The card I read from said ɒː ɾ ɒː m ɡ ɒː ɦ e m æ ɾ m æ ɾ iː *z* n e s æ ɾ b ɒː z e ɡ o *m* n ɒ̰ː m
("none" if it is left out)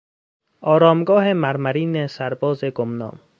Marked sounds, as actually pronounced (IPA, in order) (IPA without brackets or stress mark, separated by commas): none, m